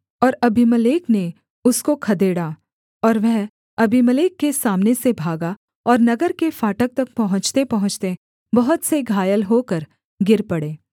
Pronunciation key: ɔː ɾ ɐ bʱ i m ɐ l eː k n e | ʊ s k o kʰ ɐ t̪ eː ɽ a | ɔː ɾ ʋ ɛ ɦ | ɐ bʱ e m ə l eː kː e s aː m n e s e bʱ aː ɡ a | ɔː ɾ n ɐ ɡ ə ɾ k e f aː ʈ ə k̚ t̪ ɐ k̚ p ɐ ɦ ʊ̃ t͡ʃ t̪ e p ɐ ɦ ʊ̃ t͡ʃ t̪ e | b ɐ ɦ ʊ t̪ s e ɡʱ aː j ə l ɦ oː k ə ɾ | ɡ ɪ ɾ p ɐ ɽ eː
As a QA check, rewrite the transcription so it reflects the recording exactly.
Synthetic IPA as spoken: ɔː ɾ ɐ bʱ i m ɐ l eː k n e | ʊ s k o kʰ ɐ d̪ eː ɽ a | ɔː ɾ ʋ ɛ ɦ | ɐ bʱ i m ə l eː kː e s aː m n e s e bʱ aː ɡ a | ɔː ɾ n ɐ ɡ ə ɾ k e f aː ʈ ə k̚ t̪ ɐ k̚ p ɐ ɦ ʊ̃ t͡ʃ t̪ e p ɐ ɦ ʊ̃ t͡ʃ t̪ e | b ɐ ɦ ʊ t̪ s e ɡʱ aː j ə l ɦ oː k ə ɾ | ɡ ɪ ɾ p ɐ ɽ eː